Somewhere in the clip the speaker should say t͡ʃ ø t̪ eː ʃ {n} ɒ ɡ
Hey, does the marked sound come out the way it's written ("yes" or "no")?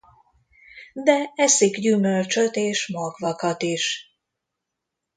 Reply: no